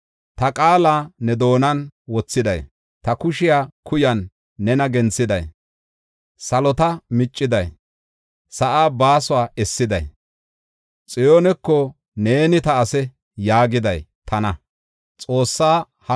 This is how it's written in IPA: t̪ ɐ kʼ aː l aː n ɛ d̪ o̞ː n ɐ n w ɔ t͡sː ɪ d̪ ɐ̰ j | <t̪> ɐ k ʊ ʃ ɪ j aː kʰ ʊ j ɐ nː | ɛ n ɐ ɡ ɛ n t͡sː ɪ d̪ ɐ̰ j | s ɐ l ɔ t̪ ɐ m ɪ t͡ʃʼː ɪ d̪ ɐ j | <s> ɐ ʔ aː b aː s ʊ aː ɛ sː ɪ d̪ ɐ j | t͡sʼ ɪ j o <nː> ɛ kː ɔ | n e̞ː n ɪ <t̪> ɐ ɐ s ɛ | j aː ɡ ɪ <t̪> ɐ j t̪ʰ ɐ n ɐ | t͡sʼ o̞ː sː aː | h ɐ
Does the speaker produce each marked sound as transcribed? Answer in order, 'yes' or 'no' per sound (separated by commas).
yes, yes, no, yes, no